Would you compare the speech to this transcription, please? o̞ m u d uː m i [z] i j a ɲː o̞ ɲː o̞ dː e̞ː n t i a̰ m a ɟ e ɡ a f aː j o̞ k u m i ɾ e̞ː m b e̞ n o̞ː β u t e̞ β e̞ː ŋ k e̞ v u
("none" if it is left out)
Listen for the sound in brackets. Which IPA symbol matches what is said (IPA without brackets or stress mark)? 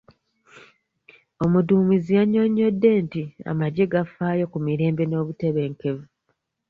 z